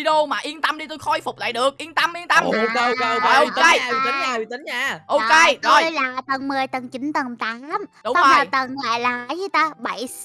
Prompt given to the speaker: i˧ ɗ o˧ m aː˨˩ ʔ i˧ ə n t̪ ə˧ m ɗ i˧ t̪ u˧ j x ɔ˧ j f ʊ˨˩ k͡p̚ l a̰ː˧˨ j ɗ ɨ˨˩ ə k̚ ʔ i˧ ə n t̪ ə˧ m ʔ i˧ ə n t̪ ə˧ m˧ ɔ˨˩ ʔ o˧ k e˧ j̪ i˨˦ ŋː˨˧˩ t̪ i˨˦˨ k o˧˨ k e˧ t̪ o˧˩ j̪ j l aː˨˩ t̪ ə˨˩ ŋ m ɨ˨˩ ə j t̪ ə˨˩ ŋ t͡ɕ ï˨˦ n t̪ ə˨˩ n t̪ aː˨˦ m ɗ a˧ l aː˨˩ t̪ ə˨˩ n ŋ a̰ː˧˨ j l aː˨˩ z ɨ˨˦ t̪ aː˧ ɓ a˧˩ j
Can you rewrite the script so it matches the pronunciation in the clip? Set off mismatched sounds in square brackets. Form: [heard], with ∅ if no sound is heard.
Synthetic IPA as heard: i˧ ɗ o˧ m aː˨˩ ʔ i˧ ə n t̪ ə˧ m ɗ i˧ t̪ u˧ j x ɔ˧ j f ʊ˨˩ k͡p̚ l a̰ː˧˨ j ɗ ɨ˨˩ ə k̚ ʔ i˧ ə n t̪ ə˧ m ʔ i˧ ə n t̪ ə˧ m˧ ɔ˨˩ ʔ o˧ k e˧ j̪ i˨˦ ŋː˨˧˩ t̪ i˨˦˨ [ʔ] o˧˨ k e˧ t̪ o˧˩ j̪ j l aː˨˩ t̪ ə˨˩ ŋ m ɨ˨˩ ə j t̪ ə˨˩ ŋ t͡ɕ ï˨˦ n t̪ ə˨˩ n t̪ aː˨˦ m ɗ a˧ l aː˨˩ t̪ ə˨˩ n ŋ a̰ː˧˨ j l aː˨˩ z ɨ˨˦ t̪ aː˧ ɓ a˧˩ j